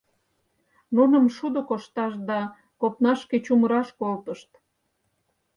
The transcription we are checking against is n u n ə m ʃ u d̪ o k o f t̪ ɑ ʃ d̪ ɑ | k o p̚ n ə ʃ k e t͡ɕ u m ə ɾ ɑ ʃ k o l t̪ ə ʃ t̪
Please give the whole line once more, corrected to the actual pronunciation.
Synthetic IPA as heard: n u n ə m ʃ u d̪ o k o ʃ t̪ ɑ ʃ d̪ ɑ | k o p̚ n ɑ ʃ k e t͡ɕ u m ə ɾ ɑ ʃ k o l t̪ ə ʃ t̪